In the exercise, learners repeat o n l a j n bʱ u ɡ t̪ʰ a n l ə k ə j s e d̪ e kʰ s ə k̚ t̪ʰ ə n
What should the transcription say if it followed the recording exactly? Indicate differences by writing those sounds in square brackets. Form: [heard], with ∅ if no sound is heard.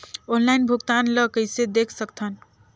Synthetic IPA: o n l a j n bʱ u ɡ [t̪] a n l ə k ə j s e d̪ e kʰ s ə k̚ t̪ʰ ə n